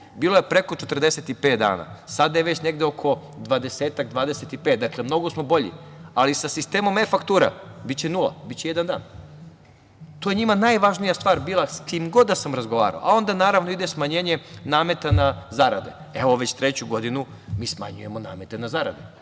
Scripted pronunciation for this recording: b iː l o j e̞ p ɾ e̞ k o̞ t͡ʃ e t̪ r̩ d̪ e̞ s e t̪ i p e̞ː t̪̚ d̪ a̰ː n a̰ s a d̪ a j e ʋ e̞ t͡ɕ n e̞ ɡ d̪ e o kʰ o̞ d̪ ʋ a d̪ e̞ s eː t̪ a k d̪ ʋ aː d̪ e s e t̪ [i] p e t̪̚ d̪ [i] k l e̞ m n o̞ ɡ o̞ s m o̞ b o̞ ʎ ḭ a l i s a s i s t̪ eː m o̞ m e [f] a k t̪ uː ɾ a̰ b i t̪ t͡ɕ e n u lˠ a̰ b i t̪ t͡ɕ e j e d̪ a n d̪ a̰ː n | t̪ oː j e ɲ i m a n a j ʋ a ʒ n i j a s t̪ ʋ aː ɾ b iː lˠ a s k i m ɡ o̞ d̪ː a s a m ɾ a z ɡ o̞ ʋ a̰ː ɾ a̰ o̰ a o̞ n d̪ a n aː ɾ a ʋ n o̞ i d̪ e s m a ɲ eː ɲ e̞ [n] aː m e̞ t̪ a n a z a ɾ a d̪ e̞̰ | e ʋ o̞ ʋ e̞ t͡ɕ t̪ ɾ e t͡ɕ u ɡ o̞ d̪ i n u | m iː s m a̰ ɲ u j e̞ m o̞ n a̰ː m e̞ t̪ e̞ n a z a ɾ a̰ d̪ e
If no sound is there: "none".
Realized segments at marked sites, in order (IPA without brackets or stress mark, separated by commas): i, a, f, n